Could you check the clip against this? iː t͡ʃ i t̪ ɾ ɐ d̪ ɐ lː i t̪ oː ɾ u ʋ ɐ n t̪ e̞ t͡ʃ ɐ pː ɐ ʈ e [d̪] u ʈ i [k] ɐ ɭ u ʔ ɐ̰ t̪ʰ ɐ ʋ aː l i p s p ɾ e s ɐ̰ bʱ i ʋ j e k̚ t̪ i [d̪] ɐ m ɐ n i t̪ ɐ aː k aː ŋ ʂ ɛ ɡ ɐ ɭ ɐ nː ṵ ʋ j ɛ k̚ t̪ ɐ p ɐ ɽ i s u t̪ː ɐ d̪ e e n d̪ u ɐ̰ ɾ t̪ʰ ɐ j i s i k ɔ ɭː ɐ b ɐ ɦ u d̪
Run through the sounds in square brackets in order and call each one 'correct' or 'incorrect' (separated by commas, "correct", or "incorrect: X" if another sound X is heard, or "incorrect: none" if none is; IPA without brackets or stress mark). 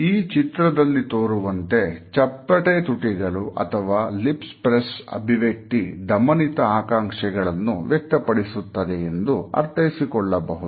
incorrect: t̪, incorrect: ɡ, correct